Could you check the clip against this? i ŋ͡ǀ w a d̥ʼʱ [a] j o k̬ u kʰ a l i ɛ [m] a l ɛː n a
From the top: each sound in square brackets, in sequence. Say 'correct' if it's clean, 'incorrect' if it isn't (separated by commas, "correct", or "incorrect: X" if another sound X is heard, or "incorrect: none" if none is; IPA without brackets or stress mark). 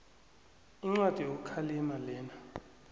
incorrect: i, correct